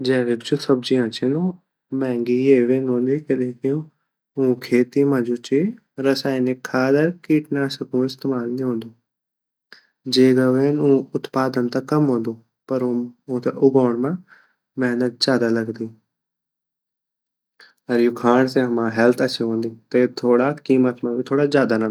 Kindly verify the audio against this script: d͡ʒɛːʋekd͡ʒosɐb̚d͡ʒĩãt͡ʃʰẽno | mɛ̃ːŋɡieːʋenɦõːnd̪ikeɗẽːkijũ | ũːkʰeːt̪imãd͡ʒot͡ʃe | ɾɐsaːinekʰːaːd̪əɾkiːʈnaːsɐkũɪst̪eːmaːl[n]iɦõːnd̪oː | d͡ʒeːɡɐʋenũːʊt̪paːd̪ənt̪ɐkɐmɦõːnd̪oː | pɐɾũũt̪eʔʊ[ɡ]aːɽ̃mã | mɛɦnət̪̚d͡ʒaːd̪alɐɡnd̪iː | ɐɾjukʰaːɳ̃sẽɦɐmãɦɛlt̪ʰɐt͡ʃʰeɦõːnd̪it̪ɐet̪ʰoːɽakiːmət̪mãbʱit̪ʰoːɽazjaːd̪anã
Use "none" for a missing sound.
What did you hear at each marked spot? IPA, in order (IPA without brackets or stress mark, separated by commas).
n, ɡ